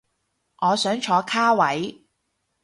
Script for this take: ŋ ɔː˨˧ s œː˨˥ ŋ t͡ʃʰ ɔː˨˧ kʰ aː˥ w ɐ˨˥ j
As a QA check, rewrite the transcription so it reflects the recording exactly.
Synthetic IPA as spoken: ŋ ɔː˨˧ s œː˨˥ ŋ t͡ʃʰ ɔː˨˧ kʰ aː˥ w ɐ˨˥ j